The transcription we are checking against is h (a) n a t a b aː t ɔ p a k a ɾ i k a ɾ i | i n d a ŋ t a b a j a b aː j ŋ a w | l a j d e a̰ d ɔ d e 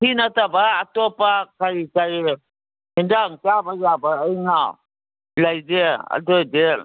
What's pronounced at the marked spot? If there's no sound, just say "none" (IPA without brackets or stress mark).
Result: i